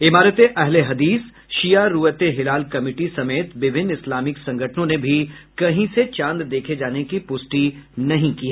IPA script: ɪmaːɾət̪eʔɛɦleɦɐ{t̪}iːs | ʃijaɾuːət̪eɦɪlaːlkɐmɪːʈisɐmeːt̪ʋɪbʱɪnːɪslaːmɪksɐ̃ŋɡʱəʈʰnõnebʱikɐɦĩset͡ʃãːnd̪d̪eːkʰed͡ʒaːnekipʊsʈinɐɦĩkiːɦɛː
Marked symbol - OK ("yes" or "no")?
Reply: no